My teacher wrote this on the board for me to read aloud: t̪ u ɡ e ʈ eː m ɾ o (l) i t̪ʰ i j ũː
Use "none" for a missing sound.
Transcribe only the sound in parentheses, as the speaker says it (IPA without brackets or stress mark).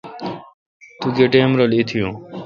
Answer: l